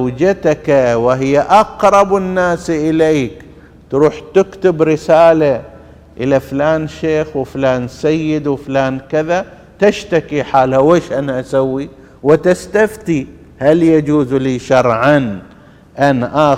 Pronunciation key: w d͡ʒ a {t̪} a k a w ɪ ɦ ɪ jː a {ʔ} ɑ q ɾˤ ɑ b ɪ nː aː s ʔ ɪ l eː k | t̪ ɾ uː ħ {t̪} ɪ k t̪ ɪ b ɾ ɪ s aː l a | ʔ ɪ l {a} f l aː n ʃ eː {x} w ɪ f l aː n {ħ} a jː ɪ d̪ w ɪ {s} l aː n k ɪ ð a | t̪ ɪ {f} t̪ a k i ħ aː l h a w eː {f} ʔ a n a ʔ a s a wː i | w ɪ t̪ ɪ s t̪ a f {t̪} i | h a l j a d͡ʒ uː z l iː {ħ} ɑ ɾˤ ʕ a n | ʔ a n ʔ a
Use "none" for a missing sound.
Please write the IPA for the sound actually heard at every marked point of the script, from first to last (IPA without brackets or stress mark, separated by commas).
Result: t̪, ʔ, t̪, a, x, s, f, ʃ, ʃ, t̪, ʃ